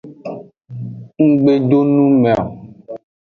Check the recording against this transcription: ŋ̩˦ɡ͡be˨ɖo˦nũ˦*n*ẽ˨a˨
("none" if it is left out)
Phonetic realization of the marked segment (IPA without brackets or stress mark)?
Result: m